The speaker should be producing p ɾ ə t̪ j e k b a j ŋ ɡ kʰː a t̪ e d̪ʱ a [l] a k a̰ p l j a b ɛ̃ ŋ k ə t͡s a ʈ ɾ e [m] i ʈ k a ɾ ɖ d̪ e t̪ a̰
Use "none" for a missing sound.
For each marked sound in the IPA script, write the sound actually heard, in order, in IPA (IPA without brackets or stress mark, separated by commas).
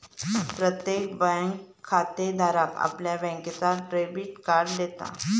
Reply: ɾ, b